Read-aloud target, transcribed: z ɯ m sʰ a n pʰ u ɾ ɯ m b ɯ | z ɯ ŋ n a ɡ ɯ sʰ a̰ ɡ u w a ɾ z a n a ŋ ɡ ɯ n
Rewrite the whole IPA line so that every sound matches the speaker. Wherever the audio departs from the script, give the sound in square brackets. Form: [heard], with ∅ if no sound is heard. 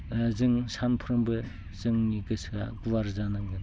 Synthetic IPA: z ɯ [ŋ] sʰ a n pʰ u ɾ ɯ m b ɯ | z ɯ ŋ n [i] ɡ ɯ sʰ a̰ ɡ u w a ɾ z a n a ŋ ɡ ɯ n